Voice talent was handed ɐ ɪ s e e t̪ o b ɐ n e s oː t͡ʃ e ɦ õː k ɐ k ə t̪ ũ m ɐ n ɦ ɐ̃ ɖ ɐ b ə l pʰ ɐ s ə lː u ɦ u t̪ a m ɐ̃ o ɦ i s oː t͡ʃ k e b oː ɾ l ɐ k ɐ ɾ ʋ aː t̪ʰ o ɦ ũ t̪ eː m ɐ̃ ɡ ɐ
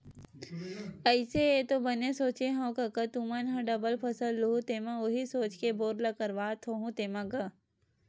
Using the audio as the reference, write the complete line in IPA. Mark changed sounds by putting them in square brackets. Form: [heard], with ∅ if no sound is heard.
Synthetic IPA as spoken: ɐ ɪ s e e t̪ o b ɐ n e s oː t͡ʃ e ɦ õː k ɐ k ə t̪ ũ m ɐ n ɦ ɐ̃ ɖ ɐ b ə l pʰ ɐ s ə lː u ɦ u t̪ [e] m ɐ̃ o ɦ i s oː t͡ʃ k e b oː ɾ l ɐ k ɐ ɾ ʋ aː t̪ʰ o ɦ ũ t̪ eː m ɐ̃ ɡ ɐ